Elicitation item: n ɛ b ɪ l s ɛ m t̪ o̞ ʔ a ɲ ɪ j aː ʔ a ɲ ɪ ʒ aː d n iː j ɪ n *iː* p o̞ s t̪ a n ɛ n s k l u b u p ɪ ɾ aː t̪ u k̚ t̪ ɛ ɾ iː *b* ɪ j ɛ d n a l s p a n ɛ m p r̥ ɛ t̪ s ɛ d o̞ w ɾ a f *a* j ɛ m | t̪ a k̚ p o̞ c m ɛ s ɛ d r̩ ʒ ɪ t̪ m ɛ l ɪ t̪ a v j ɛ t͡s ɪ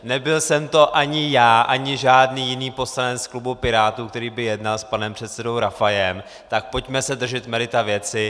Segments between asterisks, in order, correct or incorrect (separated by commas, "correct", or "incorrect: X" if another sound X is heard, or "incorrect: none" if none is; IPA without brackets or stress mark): correct, correct, correct